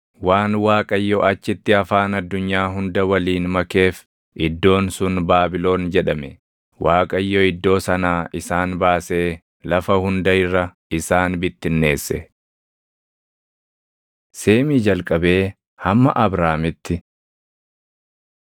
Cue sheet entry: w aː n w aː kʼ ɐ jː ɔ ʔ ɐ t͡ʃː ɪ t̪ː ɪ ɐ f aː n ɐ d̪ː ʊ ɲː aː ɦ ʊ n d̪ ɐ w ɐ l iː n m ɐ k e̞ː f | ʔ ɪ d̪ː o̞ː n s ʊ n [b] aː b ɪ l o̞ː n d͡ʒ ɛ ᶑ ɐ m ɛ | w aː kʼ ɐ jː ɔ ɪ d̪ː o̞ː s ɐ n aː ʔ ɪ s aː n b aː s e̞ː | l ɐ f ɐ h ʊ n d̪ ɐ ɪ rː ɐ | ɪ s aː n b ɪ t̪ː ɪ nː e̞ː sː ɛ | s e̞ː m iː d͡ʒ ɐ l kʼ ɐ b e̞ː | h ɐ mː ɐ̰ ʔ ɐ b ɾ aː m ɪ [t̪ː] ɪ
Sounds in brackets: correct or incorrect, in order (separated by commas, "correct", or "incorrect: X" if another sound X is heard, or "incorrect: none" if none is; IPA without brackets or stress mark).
correct, correct